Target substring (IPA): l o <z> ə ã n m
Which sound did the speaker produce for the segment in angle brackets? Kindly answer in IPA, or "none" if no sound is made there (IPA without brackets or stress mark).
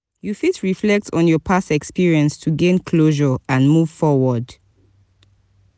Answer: ʒ